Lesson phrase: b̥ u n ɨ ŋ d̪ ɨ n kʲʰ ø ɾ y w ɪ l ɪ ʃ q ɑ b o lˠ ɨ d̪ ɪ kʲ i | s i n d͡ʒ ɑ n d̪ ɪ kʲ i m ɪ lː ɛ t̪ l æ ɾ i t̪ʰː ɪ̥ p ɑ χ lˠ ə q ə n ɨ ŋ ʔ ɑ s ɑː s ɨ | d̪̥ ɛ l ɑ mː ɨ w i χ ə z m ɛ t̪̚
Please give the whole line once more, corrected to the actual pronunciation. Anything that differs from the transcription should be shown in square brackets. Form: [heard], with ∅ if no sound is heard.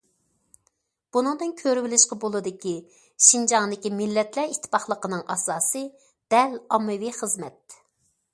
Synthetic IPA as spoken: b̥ u n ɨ ŋ d̪ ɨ n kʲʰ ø ɾ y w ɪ l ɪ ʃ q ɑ b o lˠ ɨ d̪ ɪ kʲ i | [ʃ] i n d͡ʒ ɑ [ŋ] d̪ ɪ kʲ i m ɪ lː ɛ t̪ l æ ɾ i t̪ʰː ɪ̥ p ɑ χ lˠ ə q ə n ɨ ŋ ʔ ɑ s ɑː s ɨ | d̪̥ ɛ l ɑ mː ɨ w i χ ə z m ɛ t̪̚